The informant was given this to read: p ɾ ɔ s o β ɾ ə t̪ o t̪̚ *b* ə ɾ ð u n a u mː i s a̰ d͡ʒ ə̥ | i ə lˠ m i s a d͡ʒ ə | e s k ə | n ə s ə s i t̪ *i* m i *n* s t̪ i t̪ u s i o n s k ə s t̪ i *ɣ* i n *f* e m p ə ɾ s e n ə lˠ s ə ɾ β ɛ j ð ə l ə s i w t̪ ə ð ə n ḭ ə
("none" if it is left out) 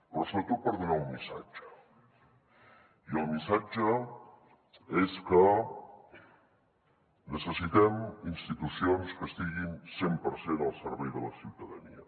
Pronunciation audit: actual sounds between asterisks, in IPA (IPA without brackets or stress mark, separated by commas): p, ɛ, n, ɣ, s